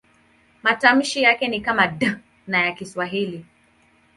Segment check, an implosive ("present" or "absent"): absent